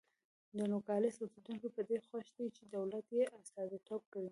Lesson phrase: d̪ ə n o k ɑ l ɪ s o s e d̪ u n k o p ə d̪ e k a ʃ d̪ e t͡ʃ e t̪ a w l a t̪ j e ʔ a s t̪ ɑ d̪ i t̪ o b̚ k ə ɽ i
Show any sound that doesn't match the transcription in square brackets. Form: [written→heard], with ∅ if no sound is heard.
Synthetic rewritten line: d̪ ə n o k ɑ l ɪ s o s e d̪ u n k o p ə d̪ e [k→x] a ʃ d̪ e t͡ʃ e [t̪→d̪] a w l a t̪ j e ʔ a s t̪ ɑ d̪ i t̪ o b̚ k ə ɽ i